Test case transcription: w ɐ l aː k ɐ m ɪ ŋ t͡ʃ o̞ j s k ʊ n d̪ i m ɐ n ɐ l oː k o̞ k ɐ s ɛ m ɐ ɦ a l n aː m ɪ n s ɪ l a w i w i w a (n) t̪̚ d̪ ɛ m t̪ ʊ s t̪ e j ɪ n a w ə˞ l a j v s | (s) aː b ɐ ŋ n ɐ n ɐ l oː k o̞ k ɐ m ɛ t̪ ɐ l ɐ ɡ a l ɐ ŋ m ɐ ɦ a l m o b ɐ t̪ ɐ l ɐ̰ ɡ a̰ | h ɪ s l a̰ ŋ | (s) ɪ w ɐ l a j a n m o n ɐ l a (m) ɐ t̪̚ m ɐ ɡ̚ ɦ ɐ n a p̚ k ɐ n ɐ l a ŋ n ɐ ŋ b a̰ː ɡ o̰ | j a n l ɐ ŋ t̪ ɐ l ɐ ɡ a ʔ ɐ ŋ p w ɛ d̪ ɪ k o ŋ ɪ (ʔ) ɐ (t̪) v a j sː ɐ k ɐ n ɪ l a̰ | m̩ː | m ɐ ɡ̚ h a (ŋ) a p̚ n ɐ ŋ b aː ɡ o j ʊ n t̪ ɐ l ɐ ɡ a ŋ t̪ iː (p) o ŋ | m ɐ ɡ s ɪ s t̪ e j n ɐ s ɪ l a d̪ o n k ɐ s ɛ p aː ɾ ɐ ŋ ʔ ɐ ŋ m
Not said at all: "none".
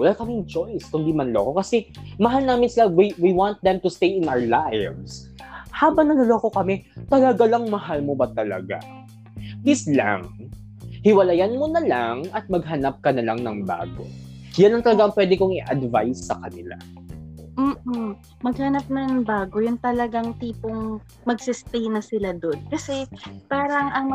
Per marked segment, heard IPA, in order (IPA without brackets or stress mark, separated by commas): n, h, h, ŋ, ʔ, d̪, n, p